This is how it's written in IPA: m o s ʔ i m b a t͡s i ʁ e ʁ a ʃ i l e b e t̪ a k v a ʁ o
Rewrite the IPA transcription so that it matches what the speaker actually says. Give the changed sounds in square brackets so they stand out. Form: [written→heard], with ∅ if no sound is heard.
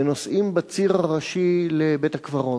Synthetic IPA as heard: [m→n] o s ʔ i m b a t͡s i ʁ [e→a] ʁ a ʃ i l e b e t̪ a k v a ʁ o